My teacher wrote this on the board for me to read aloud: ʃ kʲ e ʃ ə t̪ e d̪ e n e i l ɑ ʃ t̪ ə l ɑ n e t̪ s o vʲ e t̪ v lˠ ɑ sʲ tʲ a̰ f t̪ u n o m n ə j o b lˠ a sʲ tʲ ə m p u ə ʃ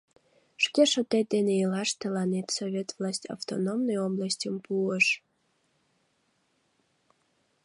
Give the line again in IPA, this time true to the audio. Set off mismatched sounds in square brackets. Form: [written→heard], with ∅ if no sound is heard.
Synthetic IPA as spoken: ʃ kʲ e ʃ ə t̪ e d̪ e n e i l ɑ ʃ t̪ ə l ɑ n e t̪ s o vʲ e t̪ v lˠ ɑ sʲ tʲ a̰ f t̪ [u→o] n o m n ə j o b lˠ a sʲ tʲ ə m p u ə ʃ